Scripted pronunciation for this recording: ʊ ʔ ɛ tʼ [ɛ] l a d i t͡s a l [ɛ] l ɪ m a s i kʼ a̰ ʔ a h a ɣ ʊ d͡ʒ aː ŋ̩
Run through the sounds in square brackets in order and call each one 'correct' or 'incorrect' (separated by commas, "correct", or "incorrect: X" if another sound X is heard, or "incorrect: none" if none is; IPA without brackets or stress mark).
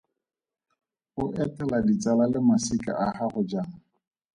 correct, incorrect: a